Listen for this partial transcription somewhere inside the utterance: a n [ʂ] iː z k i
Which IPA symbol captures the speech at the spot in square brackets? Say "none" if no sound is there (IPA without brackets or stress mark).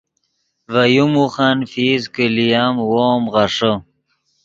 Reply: f